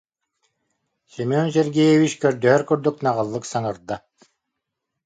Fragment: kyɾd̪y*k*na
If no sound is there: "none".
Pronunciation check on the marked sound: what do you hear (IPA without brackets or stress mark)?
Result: k